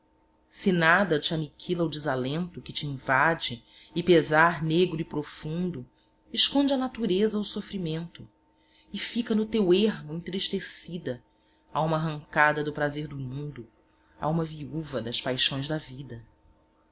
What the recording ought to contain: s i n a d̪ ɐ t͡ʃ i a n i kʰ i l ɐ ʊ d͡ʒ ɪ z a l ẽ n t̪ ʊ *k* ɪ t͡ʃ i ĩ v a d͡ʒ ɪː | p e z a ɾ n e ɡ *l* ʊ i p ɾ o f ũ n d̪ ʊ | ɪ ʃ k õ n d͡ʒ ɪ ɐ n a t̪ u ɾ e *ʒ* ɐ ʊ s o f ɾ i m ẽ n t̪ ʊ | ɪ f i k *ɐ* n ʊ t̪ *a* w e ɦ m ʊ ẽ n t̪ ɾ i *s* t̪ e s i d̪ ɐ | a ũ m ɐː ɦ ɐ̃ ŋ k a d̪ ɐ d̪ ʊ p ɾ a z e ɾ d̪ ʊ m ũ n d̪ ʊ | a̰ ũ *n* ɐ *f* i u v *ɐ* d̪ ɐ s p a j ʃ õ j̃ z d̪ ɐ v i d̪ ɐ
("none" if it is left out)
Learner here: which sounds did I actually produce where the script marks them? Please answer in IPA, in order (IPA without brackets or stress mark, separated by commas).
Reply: k, ɾ, z, ɐ, e, ʃ, m, v, ɐ